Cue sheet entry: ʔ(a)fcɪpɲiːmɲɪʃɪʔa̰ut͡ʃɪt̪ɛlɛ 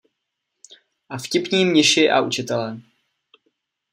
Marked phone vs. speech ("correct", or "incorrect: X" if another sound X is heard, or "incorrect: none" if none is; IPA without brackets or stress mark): correct